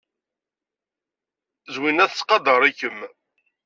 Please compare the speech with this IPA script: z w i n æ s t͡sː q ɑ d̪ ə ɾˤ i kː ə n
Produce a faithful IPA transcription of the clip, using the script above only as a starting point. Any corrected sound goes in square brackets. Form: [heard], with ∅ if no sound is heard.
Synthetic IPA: z w i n æ [θ] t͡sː q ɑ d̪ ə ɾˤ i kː ə [m]